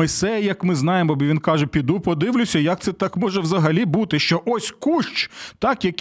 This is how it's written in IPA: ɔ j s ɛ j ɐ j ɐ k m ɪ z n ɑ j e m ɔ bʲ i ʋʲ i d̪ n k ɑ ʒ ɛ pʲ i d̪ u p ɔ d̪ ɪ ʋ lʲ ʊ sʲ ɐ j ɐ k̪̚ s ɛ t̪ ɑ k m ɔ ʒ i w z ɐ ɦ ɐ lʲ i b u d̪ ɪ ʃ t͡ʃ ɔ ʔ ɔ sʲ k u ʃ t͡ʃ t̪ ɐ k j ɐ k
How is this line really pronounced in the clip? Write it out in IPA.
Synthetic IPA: ɔ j s ɛ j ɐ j ɐ k m ɪ z n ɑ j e m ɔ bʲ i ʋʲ i n k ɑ ʒ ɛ pʲ i d̪ u p ɔ d̪ ɪ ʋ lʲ ʊ sʲ ɐ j ɐ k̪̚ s ɛ t̪ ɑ k m ɔ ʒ ɛ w z ɐ ɦ ɐ lʲ i b u t̪ ɪ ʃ t͡ʃ ɔ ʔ ɔ sʲ k u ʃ t͡ʃ t̪ ɑ k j ɐ k